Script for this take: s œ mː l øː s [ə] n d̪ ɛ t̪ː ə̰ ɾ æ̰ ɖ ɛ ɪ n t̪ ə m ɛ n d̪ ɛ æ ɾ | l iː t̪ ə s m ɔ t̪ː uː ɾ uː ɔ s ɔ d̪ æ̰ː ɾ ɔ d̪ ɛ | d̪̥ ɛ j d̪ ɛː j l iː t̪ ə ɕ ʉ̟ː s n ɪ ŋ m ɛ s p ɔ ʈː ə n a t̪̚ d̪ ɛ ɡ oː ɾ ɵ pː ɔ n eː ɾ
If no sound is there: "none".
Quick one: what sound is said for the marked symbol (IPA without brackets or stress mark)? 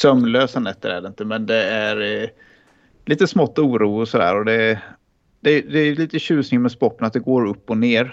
a